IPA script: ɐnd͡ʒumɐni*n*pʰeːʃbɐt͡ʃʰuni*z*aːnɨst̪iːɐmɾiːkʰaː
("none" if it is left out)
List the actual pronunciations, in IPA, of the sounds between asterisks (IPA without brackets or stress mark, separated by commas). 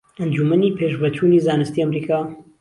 none, z